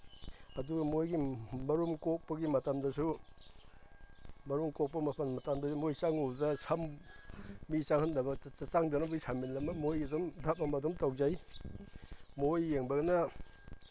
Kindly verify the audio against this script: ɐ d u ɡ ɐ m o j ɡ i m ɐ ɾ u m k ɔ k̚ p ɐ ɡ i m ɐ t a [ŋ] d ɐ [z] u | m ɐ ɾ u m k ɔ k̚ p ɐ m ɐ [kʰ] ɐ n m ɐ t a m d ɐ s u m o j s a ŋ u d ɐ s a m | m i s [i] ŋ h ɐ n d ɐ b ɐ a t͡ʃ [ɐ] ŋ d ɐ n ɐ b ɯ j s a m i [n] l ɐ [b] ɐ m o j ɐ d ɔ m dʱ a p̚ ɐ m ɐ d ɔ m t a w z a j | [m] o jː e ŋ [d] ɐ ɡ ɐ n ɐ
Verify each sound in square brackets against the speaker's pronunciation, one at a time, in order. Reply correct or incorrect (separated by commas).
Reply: incorrect, incorrect, incorrect, incorrect, incorrect, correct, incorrect, correct, incorrect